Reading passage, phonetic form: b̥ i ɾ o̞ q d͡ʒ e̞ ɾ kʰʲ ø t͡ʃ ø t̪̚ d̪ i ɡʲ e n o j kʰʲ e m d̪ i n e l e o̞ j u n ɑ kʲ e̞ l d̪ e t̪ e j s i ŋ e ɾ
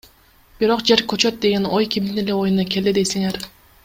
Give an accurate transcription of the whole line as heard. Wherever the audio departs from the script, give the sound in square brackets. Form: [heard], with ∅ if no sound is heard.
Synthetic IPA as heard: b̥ i ɾ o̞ q d͡ʒ e̞ ɾ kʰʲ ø t͡ʃ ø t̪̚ d̪ [e] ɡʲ e n o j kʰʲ [i] m d̪ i n e l e o̞ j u n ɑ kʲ e̞ l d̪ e [d̪] e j s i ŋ e ɾ